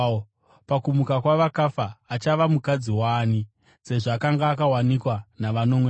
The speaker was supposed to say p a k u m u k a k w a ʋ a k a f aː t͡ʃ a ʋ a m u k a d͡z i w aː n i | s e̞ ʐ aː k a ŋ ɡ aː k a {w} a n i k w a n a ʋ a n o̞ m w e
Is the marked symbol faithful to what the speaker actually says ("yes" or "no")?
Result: yes